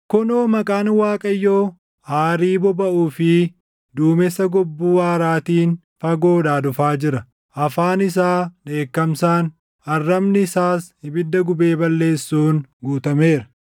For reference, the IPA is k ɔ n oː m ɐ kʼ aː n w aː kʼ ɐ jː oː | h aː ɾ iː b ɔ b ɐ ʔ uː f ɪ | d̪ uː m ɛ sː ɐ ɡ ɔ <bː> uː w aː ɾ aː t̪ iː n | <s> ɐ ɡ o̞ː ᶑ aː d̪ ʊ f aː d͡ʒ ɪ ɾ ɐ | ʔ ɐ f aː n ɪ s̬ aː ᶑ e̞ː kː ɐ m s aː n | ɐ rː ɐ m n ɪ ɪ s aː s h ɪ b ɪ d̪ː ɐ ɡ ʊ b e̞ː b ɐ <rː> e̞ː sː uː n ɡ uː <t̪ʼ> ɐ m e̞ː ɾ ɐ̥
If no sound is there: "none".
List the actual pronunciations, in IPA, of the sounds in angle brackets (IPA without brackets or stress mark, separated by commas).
bː, f, lː, t̪